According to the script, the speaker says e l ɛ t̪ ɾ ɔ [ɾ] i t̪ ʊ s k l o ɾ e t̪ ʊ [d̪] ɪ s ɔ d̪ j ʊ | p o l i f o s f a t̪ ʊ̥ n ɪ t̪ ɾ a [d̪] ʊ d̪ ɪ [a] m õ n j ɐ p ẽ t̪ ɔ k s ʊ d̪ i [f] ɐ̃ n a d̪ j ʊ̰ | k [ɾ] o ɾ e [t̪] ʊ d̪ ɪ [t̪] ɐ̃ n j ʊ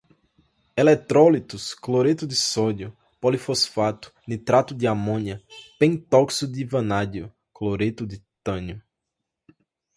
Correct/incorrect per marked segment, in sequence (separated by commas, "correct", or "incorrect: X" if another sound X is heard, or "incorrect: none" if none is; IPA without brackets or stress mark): incorrect: l, correct, incorrect: t̪, correct, incorrect: v, incorrect: l, correct, correct